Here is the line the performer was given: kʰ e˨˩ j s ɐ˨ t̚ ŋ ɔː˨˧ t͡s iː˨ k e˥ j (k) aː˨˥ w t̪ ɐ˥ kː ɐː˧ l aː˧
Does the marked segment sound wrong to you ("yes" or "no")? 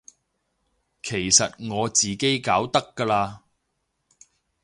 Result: no